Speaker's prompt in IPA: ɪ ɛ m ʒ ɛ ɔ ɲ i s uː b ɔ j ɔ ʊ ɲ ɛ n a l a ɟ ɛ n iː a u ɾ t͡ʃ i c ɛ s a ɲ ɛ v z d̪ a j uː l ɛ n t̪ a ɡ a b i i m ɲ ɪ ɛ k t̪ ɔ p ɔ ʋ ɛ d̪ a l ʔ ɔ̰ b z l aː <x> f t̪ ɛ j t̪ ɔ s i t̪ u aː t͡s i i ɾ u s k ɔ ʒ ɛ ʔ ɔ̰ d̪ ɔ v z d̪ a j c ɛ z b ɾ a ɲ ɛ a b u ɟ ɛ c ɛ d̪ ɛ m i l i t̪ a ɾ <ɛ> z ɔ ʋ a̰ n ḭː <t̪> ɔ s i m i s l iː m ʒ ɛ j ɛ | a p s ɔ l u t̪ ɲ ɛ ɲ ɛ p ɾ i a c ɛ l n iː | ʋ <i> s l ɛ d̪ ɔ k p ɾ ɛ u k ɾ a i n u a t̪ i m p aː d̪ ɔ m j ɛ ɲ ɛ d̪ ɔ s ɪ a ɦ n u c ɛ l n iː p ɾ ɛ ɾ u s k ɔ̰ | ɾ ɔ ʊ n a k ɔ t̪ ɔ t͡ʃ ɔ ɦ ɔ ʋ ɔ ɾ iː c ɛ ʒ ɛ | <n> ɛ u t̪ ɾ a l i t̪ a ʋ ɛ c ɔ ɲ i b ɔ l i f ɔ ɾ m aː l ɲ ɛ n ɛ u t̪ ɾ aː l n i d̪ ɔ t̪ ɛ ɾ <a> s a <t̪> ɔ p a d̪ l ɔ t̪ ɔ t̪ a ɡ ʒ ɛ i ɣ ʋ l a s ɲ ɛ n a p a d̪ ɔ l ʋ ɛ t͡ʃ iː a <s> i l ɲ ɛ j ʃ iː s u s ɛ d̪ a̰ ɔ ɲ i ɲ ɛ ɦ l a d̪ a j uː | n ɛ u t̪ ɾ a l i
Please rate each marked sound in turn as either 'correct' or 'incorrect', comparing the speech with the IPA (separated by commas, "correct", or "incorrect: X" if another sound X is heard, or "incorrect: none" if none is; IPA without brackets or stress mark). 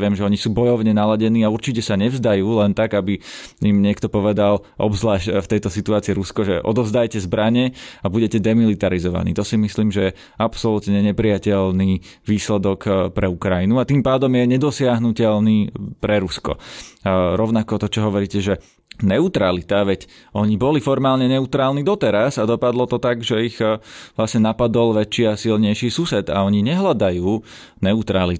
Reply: incorrect: ʃ, incorrect: i, correct, incorrect: iː, correct, correct, incorrect: d̪, correct